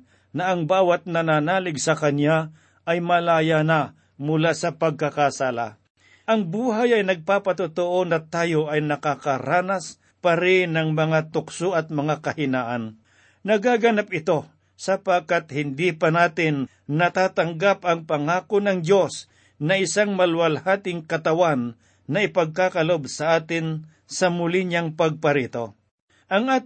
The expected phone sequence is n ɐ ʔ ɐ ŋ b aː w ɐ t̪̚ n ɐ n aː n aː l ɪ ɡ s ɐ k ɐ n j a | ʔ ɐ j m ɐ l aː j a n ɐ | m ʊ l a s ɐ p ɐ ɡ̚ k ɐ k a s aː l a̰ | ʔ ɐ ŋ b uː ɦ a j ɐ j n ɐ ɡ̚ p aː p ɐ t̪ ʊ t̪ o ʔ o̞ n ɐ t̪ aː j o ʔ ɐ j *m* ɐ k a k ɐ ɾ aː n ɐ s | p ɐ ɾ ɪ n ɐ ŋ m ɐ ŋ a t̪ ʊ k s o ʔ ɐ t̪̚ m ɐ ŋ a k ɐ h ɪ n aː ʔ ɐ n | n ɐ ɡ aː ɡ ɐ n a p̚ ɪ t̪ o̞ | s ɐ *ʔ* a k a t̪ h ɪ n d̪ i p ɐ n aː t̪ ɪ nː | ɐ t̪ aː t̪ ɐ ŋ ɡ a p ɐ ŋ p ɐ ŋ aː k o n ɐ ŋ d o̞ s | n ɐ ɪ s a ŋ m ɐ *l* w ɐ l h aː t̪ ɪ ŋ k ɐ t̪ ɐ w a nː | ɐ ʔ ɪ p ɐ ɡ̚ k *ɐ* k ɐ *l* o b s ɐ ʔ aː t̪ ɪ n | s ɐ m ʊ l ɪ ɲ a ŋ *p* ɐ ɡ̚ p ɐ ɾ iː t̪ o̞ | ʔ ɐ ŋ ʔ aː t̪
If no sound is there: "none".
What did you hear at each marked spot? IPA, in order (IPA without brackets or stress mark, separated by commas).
n, p, l, a, l, p